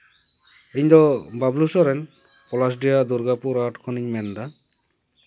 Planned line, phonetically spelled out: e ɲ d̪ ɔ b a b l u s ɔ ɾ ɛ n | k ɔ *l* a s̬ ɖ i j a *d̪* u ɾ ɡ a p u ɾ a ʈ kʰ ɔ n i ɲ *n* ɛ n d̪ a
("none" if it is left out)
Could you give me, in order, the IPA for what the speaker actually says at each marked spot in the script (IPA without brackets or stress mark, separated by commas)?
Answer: l, d̪, m